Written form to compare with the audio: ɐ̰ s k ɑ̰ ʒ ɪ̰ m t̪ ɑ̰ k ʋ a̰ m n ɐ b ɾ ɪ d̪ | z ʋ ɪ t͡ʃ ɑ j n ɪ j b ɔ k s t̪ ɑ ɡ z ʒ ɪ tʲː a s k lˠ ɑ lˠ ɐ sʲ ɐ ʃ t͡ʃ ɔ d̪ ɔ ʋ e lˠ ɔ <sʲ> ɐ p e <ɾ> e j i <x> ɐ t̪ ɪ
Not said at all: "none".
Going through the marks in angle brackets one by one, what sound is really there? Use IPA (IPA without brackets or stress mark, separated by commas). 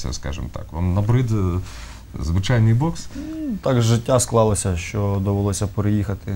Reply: sʲ, ɾ, x